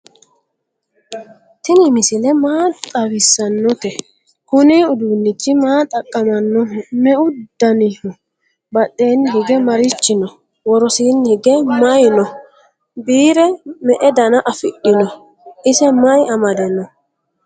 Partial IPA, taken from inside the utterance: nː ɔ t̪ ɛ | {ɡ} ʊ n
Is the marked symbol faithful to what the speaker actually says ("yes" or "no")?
no